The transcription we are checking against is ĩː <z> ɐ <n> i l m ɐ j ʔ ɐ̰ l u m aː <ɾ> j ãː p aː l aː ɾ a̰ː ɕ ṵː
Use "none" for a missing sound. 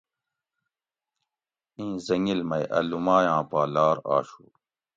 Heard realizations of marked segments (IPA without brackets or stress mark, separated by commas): z, ŋ, none